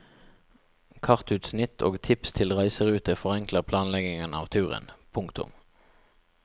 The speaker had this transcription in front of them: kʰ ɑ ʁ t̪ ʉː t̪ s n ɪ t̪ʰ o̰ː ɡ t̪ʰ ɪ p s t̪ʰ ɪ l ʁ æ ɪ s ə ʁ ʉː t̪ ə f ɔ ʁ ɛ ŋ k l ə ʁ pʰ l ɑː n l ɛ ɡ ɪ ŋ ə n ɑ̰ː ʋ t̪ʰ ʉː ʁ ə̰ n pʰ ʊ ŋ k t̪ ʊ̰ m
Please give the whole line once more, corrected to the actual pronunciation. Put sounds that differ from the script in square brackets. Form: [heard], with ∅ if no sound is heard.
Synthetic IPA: kʰ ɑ ʁ t̪ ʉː t̪ s n ɪ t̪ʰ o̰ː ɡ t̪ʰ ɪ p s t̪ʰ ɪ l ʁ æ ɪ s ə ʁ ʉː t̪ ə f ɔ ʁ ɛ ŋ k l ə ʁ pʰ l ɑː n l ɛ ɡ ɪ ŋ ə n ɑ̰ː ʋ t̪ʰ ʉː ʁ ə̰ n pʰ ʊ ŋ k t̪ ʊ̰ m